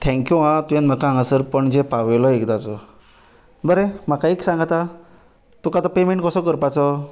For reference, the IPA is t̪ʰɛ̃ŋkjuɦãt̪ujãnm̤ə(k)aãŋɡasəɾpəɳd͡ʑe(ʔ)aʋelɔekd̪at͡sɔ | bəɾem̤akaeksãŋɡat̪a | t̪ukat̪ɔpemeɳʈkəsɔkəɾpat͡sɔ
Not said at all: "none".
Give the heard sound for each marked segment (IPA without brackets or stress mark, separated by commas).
k, p